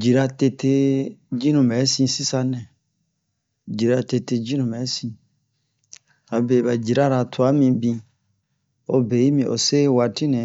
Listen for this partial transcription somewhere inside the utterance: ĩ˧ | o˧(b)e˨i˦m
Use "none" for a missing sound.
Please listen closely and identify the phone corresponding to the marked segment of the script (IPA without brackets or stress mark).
b